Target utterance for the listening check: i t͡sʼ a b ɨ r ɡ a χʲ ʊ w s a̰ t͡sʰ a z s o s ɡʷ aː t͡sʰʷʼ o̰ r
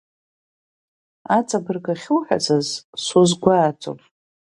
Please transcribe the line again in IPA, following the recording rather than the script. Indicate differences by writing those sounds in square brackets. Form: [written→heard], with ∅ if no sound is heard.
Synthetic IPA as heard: [i→a] t͡sʼ a b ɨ r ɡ a χʲ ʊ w [s→ħ] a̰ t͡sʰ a z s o [s→z] ɡʷ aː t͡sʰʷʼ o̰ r